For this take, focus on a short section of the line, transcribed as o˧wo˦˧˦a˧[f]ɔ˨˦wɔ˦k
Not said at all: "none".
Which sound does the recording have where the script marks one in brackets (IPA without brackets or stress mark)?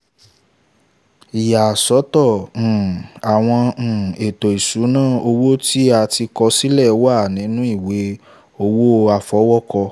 f